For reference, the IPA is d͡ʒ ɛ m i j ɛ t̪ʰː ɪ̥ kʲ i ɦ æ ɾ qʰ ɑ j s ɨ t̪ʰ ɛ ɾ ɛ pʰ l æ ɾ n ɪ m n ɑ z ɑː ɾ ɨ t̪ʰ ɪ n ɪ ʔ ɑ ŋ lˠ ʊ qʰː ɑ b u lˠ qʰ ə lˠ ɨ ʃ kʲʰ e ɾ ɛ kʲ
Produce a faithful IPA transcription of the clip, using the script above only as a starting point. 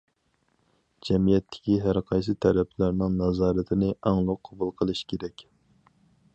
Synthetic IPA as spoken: d͡ʒ ɛ m i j ɛ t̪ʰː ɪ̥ kʲ i ɦ æ ɾ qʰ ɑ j s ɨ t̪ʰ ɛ ɾ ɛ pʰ l æ ɾ n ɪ ŋ n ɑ z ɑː ɾ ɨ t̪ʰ ɪ n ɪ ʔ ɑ ŋ lˠ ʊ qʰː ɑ b u lˠ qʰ ə lˠ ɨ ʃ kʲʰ e ɾ ɛ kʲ